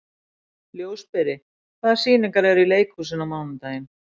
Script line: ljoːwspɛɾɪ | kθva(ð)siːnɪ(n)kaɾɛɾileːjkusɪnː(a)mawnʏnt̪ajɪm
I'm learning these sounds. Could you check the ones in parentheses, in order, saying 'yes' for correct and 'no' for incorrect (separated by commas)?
yes, no, yes